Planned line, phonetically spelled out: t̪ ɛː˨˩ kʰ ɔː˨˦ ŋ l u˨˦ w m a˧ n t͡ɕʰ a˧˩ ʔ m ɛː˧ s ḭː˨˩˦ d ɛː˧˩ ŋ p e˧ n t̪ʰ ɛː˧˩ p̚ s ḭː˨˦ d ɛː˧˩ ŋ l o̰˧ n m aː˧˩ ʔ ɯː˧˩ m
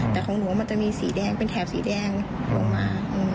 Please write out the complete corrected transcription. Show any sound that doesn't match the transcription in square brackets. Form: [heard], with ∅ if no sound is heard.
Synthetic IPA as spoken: t̪ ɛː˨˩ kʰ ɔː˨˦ ŋ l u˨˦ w m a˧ n [t͡ɕ] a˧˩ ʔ m [iː˧] s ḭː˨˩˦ d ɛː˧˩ ŋ p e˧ n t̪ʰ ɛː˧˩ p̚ s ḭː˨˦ d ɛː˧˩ ŋ l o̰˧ [ŋ] m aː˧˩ ʔ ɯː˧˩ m